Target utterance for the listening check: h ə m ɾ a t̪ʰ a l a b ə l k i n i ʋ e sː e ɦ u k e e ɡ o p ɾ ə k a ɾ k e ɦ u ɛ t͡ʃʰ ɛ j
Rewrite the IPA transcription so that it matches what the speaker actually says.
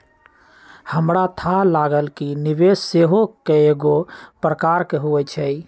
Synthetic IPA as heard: h ə m ɾ a t̪ʰ a l a ɡ ə l k i n i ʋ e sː e ɦ o k e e ɡ o p ɾ ə k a ɾ k e ɦ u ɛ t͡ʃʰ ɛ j